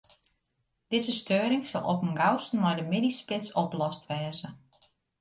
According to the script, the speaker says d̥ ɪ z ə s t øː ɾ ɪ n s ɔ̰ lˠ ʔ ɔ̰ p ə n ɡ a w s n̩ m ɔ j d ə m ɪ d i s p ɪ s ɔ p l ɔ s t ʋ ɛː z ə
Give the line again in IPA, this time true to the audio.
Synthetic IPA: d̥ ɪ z ə s t øː ɾ ɪ ŋ s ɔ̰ lˠ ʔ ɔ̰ p ə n ɡ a w s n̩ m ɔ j d ə m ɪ d i s p ɪ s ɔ p l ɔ s t ʋ ɛː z ə